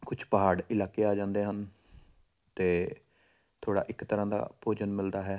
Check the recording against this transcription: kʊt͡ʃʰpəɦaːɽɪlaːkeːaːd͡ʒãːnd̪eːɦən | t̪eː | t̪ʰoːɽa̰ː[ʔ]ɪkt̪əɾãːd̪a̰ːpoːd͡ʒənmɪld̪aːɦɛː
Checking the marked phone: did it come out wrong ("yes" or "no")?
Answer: no